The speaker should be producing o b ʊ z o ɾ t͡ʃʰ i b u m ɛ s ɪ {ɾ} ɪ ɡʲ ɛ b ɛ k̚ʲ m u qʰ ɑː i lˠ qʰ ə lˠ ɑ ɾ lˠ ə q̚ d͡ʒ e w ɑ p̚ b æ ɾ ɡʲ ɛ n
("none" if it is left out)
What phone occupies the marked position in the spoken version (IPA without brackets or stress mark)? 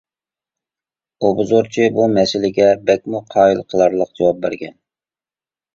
l